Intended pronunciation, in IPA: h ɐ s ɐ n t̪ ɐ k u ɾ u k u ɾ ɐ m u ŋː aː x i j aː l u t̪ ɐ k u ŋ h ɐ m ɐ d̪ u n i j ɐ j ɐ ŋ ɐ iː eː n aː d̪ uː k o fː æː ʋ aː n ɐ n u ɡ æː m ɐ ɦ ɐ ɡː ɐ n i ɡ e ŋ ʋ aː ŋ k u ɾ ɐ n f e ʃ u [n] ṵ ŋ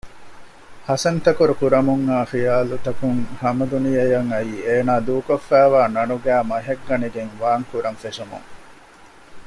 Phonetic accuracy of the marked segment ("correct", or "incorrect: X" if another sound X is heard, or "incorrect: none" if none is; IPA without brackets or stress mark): incorrect: m